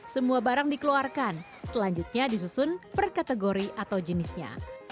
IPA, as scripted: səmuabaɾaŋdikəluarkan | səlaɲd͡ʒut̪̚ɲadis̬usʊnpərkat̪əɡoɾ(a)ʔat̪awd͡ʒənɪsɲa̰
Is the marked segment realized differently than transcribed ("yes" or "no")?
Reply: yes